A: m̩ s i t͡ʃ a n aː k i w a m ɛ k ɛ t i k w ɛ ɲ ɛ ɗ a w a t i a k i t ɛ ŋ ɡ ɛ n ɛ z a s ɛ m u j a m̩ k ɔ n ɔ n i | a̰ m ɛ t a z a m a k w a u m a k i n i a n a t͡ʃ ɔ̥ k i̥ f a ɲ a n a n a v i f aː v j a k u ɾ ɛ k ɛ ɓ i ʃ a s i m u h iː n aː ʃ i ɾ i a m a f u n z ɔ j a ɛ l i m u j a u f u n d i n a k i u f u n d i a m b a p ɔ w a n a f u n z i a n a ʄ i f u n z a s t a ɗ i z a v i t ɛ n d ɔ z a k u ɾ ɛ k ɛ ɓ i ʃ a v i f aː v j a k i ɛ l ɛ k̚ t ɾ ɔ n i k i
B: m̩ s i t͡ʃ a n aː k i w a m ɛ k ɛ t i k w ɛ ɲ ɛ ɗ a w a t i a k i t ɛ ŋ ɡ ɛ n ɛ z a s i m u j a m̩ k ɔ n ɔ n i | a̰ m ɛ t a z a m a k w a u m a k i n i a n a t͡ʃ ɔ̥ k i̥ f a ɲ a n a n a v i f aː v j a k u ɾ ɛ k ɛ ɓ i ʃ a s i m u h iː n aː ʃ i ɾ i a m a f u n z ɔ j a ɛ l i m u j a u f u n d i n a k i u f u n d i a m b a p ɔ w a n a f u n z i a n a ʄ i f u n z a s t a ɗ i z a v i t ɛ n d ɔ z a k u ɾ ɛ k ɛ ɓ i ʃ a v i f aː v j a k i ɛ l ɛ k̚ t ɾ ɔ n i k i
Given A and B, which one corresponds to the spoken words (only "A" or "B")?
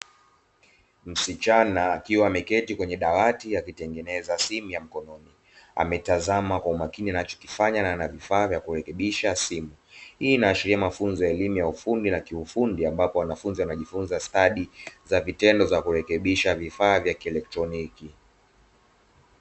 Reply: B